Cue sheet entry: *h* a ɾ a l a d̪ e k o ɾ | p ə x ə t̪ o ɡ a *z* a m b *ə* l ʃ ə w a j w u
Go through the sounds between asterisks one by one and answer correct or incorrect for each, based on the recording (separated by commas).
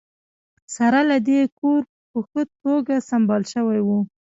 incorrect, incorrect, incorrect